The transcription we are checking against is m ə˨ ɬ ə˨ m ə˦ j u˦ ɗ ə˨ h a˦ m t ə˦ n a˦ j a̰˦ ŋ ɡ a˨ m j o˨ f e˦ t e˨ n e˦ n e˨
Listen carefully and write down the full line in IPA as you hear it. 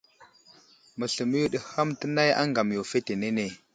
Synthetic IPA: m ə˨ ɬ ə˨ m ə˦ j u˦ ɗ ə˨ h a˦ m t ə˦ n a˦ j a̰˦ ŋ ɡ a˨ m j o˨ f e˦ t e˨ n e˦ n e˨